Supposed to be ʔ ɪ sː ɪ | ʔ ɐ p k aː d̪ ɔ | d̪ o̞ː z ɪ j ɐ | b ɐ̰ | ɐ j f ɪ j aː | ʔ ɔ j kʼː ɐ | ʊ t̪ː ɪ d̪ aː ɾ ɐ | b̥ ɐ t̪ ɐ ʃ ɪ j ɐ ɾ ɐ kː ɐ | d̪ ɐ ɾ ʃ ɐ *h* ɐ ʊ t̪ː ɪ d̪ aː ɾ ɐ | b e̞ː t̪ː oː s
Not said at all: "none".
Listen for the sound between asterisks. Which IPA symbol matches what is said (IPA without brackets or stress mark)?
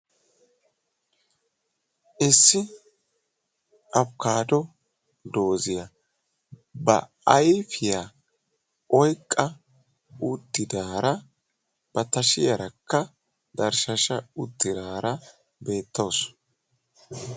ʃ